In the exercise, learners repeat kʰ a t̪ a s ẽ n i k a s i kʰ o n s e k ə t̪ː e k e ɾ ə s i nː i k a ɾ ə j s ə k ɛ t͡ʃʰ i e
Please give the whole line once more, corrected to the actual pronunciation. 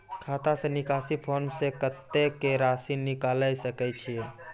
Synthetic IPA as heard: kʰ a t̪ a s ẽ n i k a s i pʰ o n s e k ə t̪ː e k e ɾ a s i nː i k a l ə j s ə k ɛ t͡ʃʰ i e